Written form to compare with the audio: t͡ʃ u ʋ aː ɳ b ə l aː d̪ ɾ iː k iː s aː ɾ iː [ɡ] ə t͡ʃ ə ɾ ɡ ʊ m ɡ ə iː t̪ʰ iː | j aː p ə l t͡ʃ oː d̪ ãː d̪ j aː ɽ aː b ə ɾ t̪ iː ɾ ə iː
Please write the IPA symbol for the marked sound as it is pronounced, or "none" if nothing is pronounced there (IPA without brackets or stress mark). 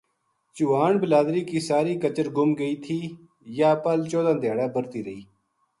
k